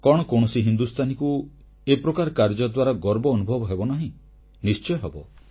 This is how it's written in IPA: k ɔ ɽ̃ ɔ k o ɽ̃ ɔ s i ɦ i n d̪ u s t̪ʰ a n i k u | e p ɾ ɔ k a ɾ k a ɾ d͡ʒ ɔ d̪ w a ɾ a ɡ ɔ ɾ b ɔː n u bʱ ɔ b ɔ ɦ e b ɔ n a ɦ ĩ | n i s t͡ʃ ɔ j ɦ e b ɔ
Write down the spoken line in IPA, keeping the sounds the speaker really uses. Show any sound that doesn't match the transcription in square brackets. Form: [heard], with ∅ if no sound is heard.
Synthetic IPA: k ɔ ɽ̃ ɔ k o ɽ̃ ɔ s i ɦ i n d̪ u s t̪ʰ a n i k u | e p ɾ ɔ k a ɾ k a ɾ d͡ʒ ɔ d̪ w a ɾ a ɡ ɔ ɾ b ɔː n u bʱ ɔ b ɔ ɦ e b ɔ n a ɦ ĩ | n i s t͡ʃ ɔ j ɦ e b ɔ